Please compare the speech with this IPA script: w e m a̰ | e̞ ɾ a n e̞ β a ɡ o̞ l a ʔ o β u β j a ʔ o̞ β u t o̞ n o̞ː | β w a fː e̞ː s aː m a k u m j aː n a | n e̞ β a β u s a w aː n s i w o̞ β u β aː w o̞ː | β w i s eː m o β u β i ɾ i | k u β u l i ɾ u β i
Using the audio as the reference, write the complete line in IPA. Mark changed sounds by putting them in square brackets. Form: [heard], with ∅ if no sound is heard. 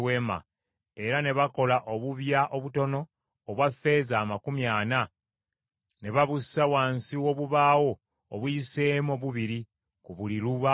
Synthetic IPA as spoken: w e m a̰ | e̞ ɾ a n e̞ β a [k] o̞ l a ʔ o β u β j a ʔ o̞ β u t o̞ n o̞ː | β w a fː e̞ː [z] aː m a k u m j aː n a | n e̞ β a β u s a w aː n s i w o̞ β u β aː w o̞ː | β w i s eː m o β u β i ɾ i | k u β u l i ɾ u β [a]